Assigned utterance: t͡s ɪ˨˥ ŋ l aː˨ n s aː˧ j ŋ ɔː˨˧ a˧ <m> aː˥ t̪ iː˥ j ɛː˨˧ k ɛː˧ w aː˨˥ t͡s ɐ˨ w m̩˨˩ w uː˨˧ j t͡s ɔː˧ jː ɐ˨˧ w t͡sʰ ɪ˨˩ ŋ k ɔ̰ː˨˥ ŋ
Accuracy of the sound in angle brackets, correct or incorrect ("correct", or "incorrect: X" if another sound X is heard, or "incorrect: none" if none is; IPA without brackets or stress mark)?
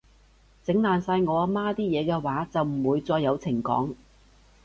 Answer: correct